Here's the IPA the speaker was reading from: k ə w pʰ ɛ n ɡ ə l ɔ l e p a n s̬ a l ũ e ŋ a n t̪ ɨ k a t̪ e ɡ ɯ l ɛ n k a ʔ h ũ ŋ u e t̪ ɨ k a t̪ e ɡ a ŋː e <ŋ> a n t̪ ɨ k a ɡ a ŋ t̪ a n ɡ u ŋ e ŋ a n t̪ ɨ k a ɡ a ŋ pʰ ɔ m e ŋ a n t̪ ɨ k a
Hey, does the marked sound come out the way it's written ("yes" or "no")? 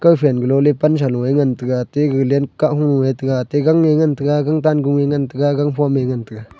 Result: yes